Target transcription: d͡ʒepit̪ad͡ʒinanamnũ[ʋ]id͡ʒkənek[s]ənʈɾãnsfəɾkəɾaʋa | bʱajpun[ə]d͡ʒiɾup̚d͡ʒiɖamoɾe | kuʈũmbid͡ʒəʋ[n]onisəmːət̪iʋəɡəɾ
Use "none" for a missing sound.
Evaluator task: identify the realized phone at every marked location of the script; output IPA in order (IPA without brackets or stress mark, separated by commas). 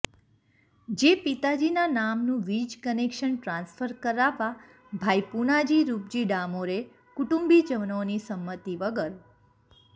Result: ʋ, ʃ, a, n